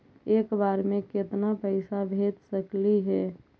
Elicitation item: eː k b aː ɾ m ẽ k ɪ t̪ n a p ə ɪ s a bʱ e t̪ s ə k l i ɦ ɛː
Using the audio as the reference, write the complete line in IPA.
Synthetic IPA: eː k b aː ɾ m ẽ k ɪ t̪ n a p ə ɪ s a bʱ e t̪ s ə k l i ɦ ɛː